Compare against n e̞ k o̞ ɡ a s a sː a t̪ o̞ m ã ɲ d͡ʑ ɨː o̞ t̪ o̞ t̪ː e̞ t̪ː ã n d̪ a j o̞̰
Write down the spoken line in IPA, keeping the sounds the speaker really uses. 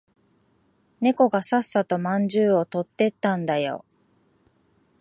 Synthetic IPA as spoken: n e̞ k o̞ ɡ a s a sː a t̪ o̞ m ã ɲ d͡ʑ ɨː o̞ t̪ o̞ t̪ː e̞ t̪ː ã n d̪ a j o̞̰